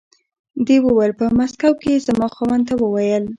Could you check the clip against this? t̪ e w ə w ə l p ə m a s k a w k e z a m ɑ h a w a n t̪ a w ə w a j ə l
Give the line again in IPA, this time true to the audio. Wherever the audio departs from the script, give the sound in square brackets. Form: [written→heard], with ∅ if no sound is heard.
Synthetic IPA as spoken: [t̪→d̪] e w ə w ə l p ə m a s k a w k e z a m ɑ [h→x] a w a n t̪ a w ə w a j ə l